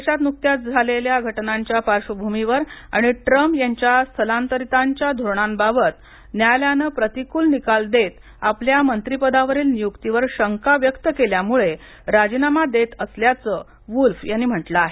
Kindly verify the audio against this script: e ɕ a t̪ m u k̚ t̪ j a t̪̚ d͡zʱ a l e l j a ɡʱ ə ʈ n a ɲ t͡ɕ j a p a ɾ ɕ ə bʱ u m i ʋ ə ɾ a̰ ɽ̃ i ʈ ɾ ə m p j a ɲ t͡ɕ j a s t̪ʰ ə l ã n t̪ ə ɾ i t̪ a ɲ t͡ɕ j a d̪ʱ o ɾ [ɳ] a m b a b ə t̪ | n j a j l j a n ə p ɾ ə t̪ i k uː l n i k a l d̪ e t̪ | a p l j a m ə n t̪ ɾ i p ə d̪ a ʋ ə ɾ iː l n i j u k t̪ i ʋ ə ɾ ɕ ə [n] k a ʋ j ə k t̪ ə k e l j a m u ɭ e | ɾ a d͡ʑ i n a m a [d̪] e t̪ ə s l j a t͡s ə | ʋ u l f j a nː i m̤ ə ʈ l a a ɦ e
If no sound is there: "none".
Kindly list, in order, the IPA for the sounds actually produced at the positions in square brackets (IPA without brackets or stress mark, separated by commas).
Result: ɳ, ŋ, d̪